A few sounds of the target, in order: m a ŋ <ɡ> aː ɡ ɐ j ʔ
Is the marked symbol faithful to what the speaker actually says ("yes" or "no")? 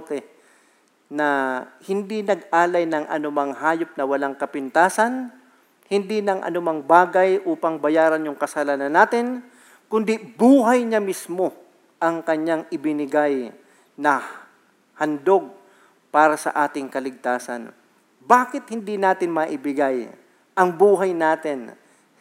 no